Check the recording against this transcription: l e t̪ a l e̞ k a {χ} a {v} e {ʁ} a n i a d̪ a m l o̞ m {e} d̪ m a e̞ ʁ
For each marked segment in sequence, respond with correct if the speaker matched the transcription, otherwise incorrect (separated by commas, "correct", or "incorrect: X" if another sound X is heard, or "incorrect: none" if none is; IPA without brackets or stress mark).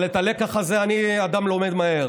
correct, incorrect: z, incorrect: none, correct